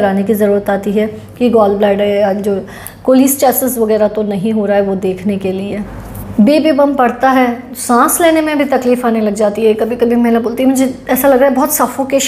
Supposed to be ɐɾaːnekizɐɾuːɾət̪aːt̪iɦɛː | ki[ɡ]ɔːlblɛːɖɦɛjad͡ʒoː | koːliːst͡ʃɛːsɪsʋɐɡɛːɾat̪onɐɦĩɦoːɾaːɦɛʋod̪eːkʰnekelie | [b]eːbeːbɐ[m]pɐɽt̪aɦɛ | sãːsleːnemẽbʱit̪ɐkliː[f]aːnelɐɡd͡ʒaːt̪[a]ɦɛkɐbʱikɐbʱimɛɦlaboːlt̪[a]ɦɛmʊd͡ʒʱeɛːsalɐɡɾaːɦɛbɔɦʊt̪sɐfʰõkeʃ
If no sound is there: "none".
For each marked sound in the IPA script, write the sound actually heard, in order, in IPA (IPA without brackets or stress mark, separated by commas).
ɡ, b, m, f, i, i